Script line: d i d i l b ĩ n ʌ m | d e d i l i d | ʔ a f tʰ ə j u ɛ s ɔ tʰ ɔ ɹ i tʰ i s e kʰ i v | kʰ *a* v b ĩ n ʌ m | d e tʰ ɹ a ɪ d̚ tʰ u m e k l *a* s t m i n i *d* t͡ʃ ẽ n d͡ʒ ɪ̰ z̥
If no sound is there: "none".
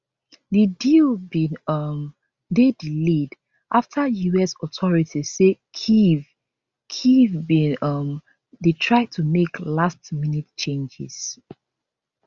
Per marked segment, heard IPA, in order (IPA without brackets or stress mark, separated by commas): i, a, t